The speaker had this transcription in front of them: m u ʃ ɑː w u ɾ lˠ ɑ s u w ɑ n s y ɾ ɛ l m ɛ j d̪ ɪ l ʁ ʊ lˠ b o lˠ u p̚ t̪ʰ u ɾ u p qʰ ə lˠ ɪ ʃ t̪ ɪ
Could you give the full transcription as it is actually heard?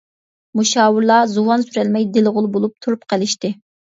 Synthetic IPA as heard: m u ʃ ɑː w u ɾ lˠ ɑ z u w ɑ n s y ɾ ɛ l m ɛ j d̪ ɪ l ʁ ʊ lˠ b o lˠ u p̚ t̪ʰ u ɾ u p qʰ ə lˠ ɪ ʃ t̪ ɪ